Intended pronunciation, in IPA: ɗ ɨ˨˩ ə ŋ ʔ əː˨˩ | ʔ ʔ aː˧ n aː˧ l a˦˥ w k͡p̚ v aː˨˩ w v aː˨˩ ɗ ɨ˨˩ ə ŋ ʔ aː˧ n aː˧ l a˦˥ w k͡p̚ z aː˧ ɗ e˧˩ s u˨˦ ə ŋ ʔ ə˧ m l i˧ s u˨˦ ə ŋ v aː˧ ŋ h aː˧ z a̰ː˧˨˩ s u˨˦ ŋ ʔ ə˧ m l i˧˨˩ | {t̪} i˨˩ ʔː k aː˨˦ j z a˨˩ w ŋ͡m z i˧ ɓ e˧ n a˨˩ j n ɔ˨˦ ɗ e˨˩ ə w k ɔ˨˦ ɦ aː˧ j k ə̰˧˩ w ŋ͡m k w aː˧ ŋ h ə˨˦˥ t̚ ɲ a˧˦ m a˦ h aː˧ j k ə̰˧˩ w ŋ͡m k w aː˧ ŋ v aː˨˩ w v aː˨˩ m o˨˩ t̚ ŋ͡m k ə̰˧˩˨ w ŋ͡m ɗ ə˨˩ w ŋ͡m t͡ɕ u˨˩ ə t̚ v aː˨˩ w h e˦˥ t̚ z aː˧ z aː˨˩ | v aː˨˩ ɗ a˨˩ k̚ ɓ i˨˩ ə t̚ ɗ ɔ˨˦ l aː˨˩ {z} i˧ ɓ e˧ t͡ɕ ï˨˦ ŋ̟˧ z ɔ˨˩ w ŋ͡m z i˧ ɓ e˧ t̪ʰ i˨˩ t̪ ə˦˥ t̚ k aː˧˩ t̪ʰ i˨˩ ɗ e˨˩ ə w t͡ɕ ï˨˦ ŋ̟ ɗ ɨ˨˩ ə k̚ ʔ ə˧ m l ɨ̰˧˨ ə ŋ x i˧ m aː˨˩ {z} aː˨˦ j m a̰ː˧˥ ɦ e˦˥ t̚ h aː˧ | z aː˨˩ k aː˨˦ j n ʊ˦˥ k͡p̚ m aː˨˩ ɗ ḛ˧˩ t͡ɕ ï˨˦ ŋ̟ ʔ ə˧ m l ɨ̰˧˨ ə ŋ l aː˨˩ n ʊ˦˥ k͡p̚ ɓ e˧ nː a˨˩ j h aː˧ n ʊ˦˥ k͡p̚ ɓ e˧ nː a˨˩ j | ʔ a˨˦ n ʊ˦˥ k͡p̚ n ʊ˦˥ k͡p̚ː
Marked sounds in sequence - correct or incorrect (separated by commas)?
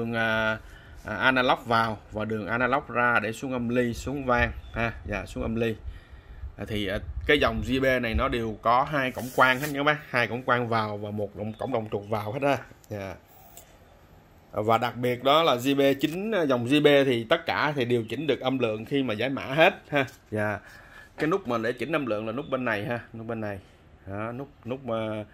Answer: incorrect, correct, correct